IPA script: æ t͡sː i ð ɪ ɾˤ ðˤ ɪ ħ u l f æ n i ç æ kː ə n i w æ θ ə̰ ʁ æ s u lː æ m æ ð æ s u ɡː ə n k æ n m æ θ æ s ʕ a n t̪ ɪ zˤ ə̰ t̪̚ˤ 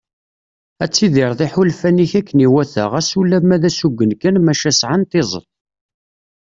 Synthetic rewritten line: æ t͡sː i ð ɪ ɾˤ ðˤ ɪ ħ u l f æ n i ç æ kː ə n i w æ θ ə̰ ʁ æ s u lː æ m æ ð æ s u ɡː ə n k æ n m æ ʃ æ s ʕ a n t̪ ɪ zˤ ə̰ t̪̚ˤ